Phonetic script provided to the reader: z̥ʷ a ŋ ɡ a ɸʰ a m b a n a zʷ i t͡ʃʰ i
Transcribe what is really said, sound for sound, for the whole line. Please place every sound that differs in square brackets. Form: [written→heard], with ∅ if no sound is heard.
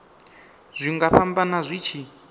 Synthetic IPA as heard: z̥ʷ [a→i] ŋ ɡ a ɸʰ a m b a n a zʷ i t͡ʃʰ i